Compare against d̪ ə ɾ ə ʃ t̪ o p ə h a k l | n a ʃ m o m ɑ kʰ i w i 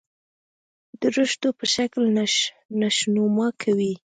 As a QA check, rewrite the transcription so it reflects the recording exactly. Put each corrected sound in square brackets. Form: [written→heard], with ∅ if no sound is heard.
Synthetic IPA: d̪ ə ɾ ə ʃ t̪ o p ə [h→ʃ] a k l | n a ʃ [m→n] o m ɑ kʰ [i→a] w i